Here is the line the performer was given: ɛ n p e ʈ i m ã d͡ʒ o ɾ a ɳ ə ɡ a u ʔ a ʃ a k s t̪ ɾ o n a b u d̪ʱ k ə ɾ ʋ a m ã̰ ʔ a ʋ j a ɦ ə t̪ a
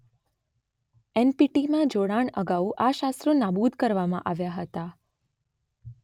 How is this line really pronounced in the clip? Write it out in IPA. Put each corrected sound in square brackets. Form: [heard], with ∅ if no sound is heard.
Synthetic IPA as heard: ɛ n p [i] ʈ i m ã d͡ʒ o [ɽ] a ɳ ə ɡ a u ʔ a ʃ a [∅] s t̪ ɾ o n a b u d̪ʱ k ə ɾ ʋ a m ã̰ ʔ a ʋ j a ɦ ə t̪ a